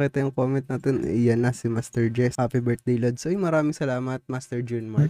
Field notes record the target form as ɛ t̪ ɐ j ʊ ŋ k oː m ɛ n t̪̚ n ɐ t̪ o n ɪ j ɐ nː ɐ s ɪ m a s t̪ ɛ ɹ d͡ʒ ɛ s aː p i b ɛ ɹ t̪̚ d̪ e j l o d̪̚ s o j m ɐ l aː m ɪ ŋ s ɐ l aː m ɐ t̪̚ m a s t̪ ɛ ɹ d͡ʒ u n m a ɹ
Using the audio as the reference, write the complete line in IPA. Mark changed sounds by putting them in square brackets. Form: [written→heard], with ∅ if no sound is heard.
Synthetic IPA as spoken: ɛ t̪ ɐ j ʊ ŋ k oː m ɛ n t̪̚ n ɐ t̪ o n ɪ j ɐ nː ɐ s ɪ m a s t̪ ɛ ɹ d͡ʒ ɛ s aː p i b ɛ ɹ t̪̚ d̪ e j l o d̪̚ s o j m ɐ [l→ɾ] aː m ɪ ŋ s ɐ l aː m ɐ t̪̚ m a s t̪ ɛ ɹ d͡ʒ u n m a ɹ